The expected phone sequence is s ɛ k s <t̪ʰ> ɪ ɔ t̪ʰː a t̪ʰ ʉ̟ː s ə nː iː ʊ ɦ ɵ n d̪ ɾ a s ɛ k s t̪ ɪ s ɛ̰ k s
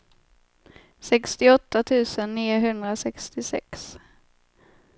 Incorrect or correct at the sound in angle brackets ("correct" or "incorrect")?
incorrect